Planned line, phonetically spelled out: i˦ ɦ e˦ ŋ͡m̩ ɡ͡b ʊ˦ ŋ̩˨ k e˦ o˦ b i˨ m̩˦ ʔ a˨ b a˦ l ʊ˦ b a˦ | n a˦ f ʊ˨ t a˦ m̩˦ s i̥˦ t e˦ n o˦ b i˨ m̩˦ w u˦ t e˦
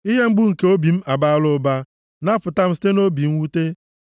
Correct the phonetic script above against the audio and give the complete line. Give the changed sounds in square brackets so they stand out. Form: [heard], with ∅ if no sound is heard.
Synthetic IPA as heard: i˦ ɦ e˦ ŋ͡m̩ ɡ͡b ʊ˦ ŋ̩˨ k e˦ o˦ b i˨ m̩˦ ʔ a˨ b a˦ l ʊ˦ b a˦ | n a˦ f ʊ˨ t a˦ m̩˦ s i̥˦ t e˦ n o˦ b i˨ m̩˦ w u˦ t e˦